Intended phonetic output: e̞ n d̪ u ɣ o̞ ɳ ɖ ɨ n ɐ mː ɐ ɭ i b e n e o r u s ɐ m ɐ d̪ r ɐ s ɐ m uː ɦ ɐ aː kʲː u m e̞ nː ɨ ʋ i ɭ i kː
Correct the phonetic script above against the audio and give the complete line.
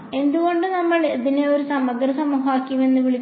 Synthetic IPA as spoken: e̞ n d̪ u ɣ o̞ ɳ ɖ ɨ n ɐ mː ɐ ɭ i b i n e o ɾ u s ɐ m ɐ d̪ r ɐ s ɐ m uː ɦ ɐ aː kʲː u m e̞ nː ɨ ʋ i ɭ i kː